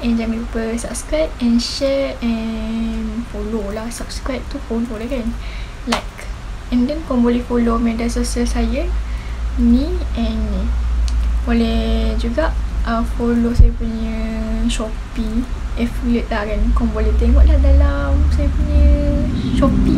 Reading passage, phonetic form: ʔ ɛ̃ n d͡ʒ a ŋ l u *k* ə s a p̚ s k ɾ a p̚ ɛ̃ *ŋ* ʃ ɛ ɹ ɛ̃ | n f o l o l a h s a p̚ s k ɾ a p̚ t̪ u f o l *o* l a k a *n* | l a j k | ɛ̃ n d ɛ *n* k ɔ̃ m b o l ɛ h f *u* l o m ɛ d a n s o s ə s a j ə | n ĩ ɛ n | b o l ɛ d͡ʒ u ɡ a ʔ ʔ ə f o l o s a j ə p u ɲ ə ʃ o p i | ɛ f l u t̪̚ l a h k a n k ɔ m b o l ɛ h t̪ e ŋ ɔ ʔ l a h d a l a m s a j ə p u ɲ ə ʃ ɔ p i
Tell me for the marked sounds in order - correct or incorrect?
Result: incorrect: p, incorrect: n, correct, correct, correct, incorrect: o

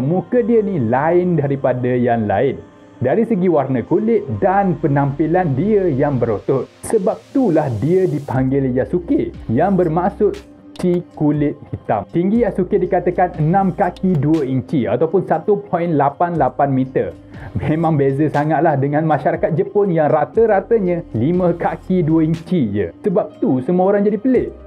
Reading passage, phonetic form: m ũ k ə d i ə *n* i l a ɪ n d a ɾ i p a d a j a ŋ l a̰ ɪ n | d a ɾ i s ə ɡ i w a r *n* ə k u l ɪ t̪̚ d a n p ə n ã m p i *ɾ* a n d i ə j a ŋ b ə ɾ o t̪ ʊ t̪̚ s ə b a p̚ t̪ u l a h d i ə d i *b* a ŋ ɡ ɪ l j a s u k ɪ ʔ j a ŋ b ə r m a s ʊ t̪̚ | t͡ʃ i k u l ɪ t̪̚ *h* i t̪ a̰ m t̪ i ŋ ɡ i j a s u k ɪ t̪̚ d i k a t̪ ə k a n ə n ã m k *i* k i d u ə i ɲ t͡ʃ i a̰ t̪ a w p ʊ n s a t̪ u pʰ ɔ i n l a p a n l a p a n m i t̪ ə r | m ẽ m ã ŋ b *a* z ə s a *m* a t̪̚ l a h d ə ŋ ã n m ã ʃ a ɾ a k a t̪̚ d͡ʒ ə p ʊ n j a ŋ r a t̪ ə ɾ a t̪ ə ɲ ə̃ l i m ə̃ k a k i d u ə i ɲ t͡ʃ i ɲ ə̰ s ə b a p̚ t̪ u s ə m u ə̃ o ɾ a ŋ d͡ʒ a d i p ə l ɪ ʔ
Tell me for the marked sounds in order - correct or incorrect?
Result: correct, correct, incorrect: l, incorrect: p, correct, incorrect: a, incorrect: e, incorrect: ŋ

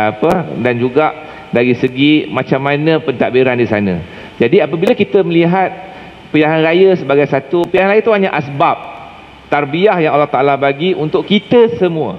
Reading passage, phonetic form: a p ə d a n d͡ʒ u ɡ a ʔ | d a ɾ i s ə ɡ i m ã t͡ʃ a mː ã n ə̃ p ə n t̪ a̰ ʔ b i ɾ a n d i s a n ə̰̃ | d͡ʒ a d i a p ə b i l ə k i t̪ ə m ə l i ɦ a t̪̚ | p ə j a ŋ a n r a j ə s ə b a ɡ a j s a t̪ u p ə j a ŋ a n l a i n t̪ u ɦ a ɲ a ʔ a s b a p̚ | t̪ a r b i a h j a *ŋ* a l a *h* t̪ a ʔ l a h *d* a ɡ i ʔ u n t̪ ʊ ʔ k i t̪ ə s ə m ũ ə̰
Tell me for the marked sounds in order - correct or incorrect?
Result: correct, correct, incorrect: b

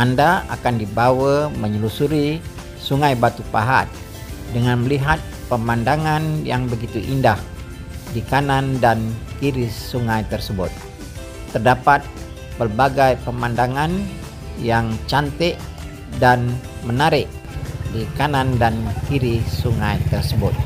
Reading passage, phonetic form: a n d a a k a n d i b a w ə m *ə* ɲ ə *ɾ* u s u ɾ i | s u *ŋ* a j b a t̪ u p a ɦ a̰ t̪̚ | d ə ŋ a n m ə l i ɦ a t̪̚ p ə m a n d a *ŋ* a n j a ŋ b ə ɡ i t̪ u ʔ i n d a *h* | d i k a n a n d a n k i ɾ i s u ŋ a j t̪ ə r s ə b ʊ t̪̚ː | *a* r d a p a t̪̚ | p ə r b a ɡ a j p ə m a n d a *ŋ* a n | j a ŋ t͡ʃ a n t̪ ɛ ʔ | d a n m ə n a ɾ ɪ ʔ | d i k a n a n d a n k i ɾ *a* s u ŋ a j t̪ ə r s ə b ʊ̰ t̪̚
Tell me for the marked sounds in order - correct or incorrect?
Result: correct, incorrect: l, correct, correct, correct, incorrect: ə, correct, incorrect: i

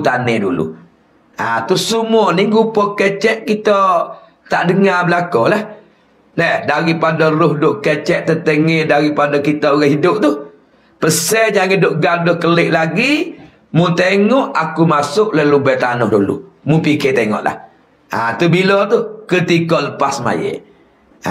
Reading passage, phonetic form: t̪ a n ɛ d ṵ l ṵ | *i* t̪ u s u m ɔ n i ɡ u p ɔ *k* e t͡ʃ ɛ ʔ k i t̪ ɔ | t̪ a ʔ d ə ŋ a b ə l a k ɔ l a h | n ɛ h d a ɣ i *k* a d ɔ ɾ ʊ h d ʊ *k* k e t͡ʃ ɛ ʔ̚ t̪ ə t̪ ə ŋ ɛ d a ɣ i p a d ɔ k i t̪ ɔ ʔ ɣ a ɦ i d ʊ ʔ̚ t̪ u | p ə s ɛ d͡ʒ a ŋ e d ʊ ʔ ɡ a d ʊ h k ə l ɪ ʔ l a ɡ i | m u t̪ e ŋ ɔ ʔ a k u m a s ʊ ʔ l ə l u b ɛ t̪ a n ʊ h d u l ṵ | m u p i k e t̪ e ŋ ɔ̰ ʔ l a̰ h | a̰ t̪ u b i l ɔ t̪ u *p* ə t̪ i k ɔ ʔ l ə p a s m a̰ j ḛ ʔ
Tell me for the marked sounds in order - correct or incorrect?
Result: incorrect: a, correct, incorrect: p, incorrect: ʔ, incorrect: k

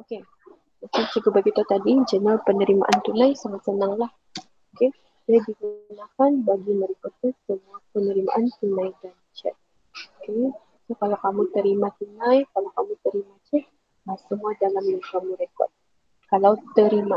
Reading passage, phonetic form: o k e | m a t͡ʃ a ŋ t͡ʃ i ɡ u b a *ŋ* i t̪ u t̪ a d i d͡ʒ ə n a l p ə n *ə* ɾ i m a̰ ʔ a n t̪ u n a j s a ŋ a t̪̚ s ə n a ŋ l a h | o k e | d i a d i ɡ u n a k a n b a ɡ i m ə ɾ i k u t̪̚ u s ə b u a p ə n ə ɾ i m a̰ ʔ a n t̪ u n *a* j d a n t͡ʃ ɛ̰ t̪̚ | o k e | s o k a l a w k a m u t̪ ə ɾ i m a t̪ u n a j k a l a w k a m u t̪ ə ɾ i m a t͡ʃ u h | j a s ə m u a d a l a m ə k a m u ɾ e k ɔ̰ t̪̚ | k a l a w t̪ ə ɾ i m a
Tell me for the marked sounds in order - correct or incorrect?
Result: incorrect: ɡ, correct, correct

